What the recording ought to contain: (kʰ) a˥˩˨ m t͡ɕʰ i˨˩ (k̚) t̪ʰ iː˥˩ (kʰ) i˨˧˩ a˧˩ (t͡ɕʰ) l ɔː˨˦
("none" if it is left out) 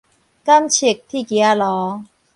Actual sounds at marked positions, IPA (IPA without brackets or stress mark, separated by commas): k, k̚, k, none